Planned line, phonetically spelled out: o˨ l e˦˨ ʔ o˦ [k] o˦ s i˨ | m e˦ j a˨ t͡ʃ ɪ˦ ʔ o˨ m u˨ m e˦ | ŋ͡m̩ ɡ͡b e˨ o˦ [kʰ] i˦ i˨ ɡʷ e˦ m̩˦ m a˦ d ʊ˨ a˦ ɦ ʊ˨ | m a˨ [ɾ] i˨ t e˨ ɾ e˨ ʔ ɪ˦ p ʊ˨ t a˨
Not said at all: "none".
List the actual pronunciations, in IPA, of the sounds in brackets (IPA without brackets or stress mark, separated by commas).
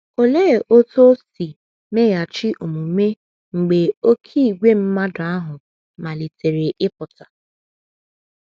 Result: t, kʰ, l